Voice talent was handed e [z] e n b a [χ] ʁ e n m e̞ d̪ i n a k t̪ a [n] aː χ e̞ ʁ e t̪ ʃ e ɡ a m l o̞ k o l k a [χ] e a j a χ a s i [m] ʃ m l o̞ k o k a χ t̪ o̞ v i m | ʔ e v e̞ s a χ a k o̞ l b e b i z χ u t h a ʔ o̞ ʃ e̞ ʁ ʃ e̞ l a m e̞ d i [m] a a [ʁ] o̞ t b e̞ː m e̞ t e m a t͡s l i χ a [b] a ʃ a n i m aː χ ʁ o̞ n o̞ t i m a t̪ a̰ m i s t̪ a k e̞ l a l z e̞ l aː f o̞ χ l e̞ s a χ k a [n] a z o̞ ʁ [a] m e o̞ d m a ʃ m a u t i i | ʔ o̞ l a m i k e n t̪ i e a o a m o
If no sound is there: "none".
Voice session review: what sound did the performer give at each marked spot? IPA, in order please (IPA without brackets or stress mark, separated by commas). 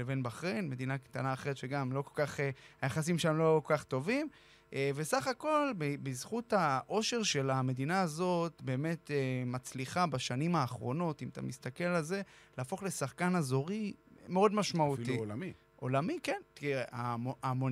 v, χ, n, χ, m, n, z, b, n, i